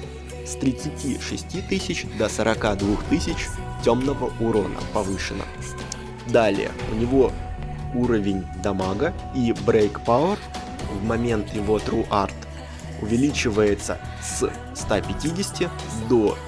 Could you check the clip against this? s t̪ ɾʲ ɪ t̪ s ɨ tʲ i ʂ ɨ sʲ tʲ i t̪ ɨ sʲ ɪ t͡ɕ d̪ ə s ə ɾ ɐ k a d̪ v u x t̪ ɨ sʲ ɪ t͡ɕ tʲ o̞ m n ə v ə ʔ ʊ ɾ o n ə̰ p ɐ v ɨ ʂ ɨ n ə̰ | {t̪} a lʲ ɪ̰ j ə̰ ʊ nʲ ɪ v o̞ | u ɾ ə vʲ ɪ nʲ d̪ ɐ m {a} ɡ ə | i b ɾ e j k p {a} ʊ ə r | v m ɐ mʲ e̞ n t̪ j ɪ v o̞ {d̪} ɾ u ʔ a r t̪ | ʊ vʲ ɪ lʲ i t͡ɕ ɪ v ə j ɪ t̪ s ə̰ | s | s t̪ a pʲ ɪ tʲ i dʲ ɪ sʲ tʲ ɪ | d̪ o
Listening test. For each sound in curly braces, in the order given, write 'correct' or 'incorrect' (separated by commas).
incorrect, correct, correct, incorrect